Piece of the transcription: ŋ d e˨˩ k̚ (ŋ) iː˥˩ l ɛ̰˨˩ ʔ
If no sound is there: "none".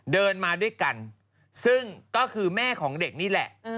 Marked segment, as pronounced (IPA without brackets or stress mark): n